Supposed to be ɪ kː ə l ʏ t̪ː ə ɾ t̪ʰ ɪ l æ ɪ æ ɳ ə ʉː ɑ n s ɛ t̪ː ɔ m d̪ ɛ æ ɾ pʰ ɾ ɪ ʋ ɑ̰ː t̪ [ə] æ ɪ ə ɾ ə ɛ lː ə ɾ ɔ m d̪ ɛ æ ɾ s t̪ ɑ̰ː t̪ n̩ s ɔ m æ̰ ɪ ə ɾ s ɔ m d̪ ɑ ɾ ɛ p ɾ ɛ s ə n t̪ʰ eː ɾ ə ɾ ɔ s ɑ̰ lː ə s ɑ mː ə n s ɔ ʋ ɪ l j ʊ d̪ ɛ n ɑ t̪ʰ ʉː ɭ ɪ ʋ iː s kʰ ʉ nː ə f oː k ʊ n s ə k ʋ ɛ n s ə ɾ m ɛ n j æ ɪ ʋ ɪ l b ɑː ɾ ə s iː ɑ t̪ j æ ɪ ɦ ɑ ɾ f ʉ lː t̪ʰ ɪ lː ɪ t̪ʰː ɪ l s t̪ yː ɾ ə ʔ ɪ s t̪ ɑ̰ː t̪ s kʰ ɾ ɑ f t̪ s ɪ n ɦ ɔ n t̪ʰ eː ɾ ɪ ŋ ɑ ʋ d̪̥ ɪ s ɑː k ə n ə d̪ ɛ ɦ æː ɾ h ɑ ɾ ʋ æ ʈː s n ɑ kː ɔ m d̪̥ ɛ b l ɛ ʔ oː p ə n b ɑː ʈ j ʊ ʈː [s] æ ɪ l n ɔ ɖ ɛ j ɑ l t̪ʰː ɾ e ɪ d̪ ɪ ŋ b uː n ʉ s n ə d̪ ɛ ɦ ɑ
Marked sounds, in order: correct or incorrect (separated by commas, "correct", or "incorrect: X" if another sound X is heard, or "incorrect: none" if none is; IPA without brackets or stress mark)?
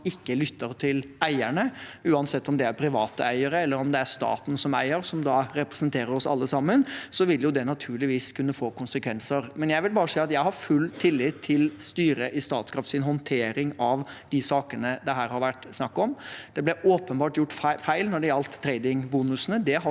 correct, incorrect: f